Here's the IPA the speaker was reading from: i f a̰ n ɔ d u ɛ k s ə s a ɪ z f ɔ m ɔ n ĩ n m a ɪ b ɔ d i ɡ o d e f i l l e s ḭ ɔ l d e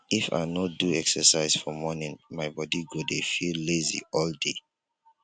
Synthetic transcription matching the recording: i f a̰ n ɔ d u ɛ k s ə s a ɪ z f ɔ m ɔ n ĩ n m a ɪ b ɔ d i ɡ o d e f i l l e z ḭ ɔ l d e